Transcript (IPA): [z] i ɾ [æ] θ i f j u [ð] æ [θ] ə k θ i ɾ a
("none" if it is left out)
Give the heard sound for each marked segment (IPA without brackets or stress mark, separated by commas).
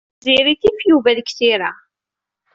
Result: z, i, v, ð